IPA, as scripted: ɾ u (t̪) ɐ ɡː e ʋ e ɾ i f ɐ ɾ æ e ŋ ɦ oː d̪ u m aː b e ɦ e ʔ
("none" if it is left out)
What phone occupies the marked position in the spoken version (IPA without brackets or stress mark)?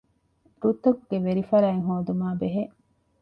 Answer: t̪